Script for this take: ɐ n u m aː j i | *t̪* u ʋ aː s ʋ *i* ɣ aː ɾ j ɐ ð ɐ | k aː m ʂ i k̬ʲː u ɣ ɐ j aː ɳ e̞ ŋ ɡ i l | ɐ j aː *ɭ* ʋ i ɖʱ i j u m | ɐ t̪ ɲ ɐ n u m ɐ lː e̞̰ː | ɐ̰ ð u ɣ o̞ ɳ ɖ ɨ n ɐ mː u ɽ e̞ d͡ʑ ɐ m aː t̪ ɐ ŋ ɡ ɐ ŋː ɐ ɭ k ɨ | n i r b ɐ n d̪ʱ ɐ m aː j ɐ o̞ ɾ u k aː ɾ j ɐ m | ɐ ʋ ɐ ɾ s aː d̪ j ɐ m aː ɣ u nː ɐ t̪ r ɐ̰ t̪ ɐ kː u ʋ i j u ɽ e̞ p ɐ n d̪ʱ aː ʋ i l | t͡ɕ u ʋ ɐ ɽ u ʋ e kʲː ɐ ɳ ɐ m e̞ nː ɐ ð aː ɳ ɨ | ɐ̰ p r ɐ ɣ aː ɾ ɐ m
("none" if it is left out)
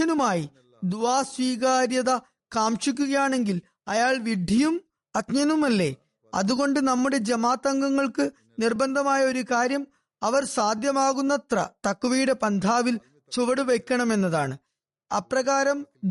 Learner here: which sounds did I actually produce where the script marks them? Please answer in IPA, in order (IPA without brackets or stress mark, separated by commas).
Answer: d̪, iː, ɭ